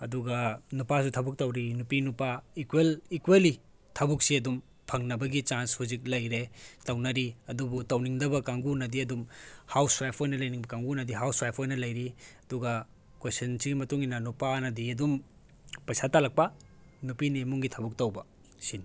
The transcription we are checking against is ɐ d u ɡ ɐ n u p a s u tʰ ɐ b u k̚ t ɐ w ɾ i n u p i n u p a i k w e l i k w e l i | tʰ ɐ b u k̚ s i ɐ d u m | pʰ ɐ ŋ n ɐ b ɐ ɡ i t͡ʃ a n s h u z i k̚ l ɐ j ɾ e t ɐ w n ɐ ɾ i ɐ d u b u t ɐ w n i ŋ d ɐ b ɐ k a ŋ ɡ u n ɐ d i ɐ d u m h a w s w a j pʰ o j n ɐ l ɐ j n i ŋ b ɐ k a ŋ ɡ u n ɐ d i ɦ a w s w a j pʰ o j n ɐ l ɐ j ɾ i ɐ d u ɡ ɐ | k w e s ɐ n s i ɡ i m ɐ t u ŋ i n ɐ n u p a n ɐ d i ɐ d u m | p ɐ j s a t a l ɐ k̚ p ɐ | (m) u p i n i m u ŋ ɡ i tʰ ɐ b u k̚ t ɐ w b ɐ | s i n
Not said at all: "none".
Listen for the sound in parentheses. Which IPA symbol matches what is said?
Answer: n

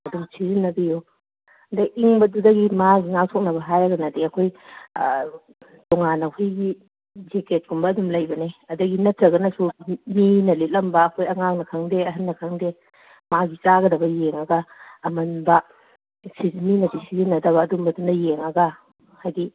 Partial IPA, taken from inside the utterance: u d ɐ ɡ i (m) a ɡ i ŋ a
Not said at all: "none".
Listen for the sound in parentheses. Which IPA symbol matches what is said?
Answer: m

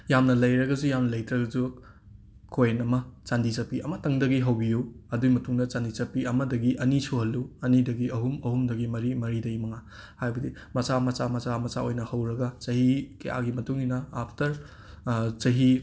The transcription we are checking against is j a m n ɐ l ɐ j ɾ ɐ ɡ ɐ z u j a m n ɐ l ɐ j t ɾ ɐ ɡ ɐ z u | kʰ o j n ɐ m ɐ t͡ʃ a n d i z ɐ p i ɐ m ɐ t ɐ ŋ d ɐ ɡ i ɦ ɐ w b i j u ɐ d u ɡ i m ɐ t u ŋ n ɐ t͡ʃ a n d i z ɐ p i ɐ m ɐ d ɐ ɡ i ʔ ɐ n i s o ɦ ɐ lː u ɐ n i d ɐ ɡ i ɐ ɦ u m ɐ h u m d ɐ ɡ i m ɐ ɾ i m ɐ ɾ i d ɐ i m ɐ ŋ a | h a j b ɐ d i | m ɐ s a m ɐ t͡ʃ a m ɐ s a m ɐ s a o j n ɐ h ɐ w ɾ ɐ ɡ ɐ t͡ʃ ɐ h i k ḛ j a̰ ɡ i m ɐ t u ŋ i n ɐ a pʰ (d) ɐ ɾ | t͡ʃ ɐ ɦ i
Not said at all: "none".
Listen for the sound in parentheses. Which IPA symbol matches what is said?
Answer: t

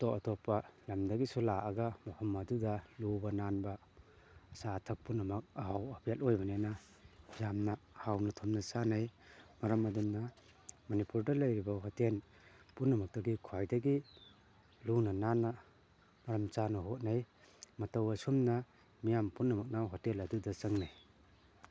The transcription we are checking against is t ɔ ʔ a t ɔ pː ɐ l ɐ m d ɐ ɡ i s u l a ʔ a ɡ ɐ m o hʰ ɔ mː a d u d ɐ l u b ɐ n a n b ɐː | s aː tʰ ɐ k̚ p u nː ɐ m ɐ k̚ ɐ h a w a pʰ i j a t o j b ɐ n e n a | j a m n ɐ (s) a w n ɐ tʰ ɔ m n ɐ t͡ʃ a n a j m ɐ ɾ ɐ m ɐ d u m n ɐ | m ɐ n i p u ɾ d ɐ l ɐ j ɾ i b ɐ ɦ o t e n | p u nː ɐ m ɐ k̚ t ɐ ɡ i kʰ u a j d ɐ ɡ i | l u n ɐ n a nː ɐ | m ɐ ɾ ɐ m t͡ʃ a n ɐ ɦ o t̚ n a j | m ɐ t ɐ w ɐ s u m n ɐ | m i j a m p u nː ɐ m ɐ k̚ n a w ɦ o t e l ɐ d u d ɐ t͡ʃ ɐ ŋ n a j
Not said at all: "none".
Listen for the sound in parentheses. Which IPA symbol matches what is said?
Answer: h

